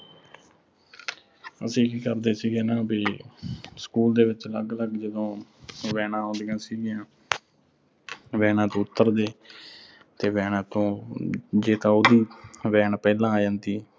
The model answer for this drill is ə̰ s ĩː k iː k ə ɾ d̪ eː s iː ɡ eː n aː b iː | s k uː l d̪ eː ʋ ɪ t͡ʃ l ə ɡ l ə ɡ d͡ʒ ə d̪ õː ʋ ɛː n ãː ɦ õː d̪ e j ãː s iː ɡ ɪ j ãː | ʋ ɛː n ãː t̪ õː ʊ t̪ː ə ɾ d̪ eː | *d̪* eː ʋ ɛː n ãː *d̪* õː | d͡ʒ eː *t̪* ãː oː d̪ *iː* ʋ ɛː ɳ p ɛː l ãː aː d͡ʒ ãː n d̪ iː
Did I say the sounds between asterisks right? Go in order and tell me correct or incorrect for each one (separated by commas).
incorrect, incorrect, correct, correct